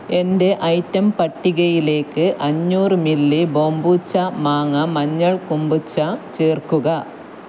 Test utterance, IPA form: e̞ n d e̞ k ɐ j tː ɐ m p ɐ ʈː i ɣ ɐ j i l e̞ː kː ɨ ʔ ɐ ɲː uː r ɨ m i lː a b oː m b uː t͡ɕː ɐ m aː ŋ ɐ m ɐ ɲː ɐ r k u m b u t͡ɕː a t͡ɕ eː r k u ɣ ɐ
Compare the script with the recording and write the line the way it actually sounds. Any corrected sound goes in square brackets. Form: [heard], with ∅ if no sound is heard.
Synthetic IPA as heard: e̞ n d e̞ [ʔ] ɐ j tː ɐ m p ɐ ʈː i ɣ ɐ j i l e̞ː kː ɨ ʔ ɐ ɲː uː r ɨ m i lː [i] b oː m b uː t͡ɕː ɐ m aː ŋ ɐ m ɐ ɲː ɐ [ɭ] k u m b u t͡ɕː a t͡ɕ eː r k u ɣ ɐ